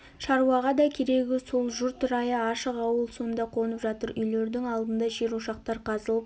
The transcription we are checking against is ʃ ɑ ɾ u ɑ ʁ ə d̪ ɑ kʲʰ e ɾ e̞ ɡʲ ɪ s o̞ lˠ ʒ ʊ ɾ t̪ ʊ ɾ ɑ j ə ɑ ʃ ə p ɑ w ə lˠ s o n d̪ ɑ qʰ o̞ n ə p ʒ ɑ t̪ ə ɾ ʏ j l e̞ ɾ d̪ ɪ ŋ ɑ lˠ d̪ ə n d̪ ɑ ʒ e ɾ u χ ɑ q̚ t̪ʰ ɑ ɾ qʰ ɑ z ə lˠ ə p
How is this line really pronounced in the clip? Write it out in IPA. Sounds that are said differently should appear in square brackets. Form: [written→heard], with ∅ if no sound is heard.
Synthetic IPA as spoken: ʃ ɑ ɾ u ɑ ʁ [ə→ɑ] d̪ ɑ kʲʰ e ɾ e̞ ɡʲ ɪ s o̞ lˠ ʒ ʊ ɾ t̪ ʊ ɾ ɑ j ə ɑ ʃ ə [p→q] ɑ w ə lˠ s o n d̪ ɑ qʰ o̞ n ə p ʒ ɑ t̪ ə ɾ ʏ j l e̞ ɾ d̪ ɪ ŋ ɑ lˠ d̪ ə n d̪ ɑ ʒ e ɾ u [χ→ʃ] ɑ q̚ [t̪ʰ→t̪] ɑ ɾ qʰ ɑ z ə lˠ ə p